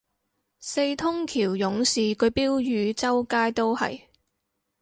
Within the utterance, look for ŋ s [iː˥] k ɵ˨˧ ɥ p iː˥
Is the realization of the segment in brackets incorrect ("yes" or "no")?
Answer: yes